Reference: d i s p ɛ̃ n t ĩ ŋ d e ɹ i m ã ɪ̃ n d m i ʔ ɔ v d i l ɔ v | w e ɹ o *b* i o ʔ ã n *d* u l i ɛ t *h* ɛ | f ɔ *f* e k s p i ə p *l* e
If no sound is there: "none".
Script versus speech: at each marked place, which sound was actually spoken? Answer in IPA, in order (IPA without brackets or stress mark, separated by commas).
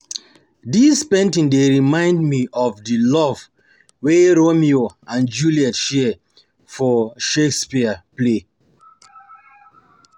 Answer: m, d͡ʒ, ʃ, ʃ, l